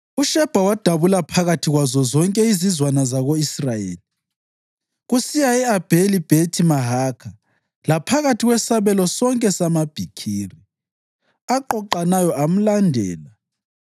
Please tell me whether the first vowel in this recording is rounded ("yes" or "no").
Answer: yes